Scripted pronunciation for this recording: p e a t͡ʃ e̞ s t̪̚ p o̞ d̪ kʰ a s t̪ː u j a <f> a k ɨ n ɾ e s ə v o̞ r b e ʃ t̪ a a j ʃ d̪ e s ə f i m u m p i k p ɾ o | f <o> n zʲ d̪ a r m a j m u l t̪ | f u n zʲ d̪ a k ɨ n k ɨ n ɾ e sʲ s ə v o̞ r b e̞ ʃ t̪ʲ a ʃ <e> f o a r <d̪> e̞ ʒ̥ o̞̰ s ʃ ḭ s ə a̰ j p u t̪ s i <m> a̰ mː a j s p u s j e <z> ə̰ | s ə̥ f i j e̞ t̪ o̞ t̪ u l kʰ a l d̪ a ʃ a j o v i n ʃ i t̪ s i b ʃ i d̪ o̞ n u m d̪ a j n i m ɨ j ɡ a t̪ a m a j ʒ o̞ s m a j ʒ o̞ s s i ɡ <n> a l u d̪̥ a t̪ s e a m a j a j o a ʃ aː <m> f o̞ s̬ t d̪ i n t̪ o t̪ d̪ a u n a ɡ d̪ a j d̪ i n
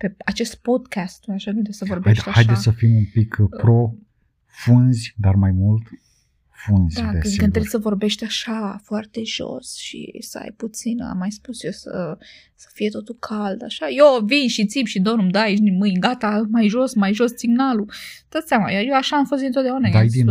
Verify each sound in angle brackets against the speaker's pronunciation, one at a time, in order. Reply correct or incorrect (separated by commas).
incorrect, incorrect, incorrect, incorrect, incorrect, incorrect, correct, correct